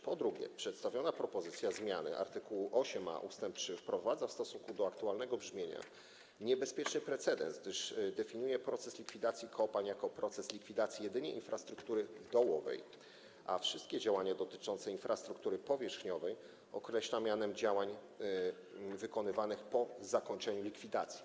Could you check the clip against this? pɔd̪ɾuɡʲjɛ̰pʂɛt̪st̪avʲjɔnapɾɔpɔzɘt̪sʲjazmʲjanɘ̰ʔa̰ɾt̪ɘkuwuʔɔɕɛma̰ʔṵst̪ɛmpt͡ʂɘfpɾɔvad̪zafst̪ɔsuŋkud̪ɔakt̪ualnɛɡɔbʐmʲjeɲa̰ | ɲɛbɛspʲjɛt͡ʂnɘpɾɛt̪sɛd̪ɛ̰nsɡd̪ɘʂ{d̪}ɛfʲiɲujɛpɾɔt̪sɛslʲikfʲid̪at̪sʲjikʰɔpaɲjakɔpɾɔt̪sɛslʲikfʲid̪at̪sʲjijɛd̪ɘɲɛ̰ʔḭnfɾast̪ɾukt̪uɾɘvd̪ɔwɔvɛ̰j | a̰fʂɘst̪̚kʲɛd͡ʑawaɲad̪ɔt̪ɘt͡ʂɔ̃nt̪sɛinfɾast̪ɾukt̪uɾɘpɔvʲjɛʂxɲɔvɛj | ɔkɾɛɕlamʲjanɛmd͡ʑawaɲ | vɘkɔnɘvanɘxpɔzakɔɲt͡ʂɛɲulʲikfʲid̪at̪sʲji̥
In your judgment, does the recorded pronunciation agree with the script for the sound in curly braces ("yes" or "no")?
yes